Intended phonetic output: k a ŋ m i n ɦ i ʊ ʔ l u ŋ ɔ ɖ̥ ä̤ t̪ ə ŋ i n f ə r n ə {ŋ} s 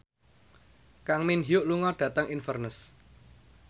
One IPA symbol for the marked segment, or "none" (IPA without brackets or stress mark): none